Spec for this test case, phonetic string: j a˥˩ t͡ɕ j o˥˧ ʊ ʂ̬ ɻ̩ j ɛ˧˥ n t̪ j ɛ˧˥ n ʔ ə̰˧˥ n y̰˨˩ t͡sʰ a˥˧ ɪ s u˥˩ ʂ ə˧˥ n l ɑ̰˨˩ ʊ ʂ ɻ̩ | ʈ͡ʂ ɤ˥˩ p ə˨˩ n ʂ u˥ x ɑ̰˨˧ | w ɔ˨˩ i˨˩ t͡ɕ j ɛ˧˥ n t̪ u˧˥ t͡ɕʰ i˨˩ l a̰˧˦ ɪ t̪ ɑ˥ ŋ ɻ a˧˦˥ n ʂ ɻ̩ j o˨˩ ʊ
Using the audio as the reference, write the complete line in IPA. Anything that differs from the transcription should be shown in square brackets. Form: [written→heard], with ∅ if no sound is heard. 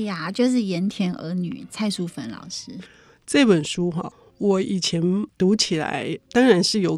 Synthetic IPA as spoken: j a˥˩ t͡ɕ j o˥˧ ʊ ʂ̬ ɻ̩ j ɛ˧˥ n [t̪→t̪ʰ] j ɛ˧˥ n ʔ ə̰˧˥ n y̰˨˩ t͡sʰ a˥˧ ɪ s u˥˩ [ʂ→f] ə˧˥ n l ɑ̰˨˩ ʊ ʂ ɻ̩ | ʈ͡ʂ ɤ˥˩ p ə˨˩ n ʂ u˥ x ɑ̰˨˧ | w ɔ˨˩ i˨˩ [t͡ɕ→t͡ɕʰ] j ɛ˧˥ n t̪ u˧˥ t͡ɕʰ i˨˩ l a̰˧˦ ɪ t̪ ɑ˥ ŋ ɻ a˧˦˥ n ʂ ɻ̩ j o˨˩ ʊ